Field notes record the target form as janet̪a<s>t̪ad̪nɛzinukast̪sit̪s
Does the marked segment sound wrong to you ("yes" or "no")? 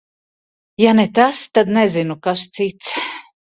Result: no